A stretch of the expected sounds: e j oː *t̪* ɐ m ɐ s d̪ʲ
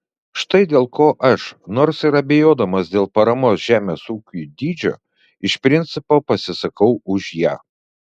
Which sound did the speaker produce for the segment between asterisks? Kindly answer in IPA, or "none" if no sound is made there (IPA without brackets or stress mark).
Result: d̪